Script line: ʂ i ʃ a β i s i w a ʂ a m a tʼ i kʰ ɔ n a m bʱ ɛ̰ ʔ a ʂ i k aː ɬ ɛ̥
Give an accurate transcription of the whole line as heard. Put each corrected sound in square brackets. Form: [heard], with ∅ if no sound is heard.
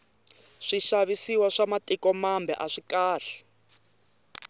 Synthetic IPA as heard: ʂ i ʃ a β i s i w a ʂ a m a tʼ i [k] ɔ [m] a m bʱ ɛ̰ ʔ a ʂ i k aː ɬ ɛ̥